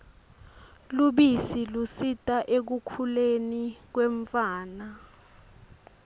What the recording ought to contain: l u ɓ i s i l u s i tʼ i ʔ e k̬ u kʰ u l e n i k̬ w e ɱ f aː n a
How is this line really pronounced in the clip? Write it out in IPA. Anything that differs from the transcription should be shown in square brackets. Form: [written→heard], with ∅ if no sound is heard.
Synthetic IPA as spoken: l u ɓ i s i l u s i tʼ [i→a] ʔ e k̬ u kʰ u l e n i k̬ w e ɱ f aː n a